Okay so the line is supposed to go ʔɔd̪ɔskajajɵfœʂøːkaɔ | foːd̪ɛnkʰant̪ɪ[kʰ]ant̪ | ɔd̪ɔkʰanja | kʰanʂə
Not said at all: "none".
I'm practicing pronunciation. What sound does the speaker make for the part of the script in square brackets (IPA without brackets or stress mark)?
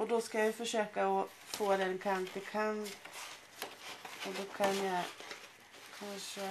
kʰ